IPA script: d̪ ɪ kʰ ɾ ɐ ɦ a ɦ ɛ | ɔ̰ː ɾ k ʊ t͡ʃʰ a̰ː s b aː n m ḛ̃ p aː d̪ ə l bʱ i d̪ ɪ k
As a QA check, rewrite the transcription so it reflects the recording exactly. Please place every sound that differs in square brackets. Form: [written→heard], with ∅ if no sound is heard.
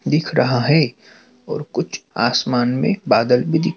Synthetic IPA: d̪ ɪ kʰ ɾ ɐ ɦ a ɦ ɛ | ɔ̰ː ɾ k ʊ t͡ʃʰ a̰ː s [b→m] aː n m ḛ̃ [p→b] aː d̪ ə l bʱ i d̪ ɪ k